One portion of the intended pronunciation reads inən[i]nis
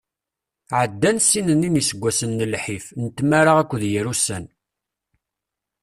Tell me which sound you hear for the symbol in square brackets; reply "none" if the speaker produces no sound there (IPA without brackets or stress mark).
i